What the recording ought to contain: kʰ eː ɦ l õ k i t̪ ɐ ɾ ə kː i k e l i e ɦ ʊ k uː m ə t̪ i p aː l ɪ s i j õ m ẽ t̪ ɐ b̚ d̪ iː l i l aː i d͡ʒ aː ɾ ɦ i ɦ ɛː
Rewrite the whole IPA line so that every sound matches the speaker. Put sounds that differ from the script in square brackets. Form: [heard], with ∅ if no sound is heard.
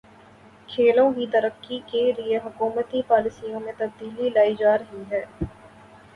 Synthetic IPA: kʰ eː [∅] l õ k i t̪ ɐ ɾ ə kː i k e l i e ɦ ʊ k uː m ə t̪ i p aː l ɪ s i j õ m ẽ t̪ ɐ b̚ d̪ iː l i l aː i d͡ʒ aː ɾ ɦ i ɦ ɛː

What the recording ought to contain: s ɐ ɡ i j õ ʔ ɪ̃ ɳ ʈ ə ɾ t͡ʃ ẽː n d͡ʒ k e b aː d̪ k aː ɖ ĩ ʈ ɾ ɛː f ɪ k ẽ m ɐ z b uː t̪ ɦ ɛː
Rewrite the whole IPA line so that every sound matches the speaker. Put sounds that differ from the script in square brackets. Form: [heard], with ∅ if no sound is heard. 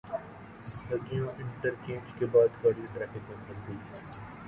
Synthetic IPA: s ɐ ɡ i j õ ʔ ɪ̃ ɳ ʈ ə ɾ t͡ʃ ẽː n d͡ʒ k e b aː d̪ k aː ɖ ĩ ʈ ɾ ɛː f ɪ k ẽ m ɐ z b uː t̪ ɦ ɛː

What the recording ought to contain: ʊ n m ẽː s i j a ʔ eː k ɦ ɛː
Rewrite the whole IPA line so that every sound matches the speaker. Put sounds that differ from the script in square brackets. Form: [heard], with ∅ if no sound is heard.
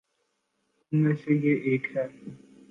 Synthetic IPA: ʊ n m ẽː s [e] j [e] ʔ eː k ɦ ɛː

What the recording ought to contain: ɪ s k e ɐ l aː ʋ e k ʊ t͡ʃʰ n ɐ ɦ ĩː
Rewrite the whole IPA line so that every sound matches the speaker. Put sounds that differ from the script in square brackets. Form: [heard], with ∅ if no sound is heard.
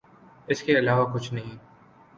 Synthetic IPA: ɪ s k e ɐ l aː ʋ [a] k ʊ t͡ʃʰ n ɐ ɦ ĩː

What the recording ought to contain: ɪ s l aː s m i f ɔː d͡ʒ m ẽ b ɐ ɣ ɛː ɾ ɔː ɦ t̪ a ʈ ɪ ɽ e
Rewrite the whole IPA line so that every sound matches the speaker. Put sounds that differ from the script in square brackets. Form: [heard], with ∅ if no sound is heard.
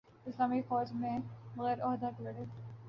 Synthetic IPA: ɪ s l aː [∅] m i f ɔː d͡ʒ m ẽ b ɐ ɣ ɛː ɾ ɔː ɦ [d̪] a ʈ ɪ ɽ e

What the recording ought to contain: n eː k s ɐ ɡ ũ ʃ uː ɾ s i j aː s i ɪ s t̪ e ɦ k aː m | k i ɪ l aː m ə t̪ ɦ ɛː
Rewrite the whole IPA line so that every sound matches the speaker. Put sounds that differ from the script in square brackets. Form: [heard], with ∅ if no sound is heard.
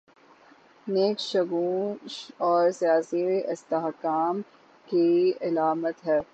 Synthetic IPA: n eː k [ʃ] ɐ ɡ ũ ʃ [ɔː] ɾ s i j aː s i ɪ s t̪ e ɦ k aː m | k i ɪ l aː m ə t̪ ɦ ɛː

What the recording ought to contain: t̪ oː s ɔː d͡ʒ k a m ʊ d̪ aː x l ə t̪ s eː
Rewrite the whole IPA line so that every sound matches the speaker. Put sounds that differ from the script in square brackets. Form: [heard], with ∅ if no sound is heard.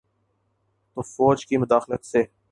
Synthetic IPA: t̪ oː [f] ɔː d͡ʒ k [i] m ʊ d̪ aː x l ə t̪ s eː

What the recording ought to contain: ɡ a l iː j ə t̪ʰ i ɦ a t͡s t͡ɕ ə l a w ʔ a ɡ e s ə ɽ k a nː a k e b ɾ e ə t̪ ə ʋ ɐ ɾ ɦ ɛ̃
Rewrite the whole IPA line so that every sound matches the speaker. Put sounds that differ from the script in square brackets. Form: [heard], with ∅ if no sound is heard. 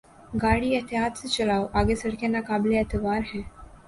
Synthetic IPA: ɡ a [ɽ] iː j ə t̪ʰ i ɦ a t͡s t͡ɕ ə l a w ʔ a ɡ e s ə ɽ k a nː a k [a] b [l] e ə t̪ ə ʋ [a] ɾ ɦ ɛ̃

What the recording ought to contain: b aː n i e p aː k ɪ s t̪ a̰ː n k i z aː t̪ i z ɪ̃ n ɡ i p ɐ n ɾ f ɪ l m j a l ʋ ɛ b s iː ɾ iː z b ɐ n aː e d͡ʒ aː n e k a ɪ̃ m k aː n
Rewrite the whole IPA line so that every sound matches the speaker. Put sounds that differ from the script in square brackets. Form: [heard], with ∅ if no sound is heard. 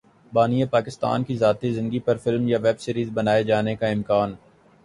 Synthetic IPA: b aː n i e p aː k ɪ s t̪ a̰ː n k i z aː t̪ i z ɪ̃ n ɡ i p ɐ [∅] ɾ f ɪ l m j a [∅] ʋ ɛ b s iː ɾ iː z b ɐ n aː e d͡ʒ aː n e k a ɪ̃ m k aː n

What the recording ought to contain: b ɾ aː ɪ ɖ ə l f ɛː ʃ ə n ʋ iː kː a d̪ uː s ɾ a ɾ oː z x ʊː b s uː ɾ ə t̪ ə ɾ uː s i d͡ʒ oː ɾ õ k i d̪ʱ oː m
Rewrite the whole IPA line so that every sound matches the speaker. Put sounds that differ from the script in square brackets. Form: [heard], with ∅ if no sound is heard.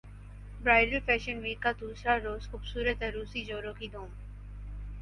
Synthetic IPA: b ɾ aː ɪ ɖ ə l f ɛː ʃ ə n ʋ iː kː a d̪ uː s ɾ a ɾ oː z x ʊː b s uː ɾ ə t̪ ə ɾ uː s i d͡ʒ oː ɾ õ k i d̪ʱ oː m

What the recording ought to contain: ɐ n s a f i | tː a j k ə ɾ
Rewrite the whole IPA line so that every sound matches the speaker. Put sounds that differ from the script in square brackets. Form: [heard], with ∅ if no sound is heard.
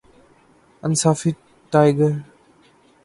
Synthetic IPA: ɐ n s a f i | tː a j [ɡ] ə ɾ

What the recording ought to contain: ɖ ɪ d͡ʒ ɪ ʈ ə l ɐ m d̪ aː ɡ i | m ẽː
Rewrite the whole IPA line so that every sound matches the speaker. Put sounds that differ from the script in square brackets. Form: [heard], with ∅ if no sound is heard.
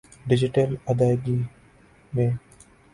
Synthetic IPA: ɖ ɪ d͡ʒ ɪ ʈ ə l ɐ [∅] d̪ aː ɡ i | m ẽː

